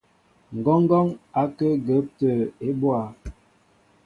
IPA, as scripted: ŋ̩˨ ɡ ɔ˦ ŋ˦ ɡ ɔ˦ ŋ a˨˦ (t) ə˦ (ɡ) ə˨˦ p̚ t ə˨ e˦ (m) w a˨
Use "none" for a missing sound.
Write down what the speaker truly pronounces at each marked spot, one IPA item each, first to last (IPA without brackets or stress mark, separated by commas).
k, ɡ, b